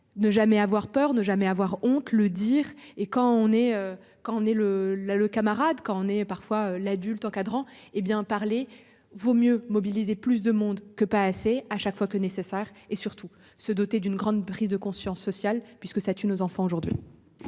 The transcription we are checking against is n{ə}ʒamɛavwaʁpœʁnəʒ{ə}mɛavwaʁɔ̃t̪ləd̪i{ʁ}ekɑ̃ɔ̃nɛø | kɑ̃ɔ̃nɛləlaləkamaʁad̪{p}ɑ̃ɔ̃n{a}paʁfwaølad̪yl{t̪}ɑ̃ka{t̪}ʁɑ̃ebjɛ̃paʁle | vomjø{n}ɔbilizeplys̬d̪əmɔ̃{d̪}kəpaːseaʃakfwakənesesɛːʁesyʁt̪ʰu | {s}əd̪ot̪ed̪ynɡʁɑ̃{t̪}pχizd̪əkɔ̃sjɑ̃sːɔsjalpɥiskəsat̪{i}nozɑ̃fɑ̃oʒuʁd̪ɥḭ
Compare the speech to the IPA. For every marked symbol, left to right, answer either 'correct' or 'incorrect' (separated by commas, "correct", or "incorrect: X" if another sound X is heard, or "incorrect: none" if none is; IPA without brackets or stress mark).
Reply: correct, incorrect: a, correct, incorrect: k, incorrect: ɛ, correct, incorrect: d̪, incorrect: m, correct, correct, incorrect: d̪, incorrect: y